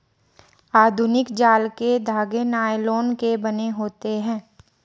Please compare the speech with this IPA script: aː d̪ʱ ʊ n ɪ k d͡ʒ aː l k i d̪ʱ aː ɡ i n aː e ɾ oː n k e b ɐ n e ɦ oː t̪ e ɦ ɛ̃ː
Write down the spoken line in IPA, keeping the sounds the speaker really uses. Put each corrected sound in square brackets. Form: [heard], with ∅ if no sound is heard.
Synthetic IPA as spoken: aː d̪ʱ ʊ n ɪ k d͡ʒ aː l k [e] d̪ʱ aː ɡ [e] n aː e [l] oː n k e b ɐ n e ɦ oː t̪ e ɦ ɛ̃ː